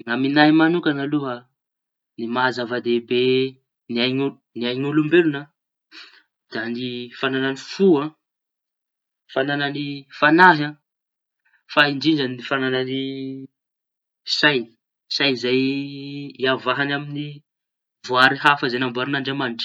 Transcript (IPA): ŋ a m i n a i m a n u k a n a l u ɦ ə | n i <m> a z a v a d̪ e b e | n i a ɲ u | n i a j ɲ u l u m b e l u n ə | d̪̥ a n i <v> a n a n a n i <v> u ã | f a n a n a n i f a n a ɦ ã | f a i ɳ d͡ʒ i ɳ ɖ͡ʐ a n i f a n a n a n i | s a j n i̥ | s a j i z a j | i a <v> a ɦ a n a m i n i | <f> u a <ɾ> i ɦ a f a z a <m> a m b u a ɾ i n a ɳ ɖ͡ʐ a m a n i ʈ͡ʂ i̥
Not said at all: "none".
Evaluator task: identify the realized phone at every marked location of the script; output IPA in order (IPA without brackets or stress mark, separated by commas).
m, f, f, v, v, ɾ, n